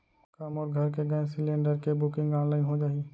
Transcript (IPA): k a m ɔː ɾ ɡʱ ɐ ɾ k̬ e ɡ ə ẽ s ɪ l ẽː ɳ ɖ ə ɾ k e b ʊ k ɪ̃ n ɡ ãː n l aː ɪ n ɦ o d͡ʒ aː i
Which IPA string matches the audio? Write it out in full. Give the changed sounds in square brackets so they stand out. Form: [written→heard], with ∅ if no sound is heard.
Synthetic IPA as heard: k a m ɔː ɾ ɡʱ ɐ ɾ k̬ e ɡ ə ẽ s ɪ l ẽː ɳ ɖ ə ɾ k e b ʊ k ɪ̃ [n→ŋ] ɡ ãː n l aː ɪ n ɦ o d͡ʒ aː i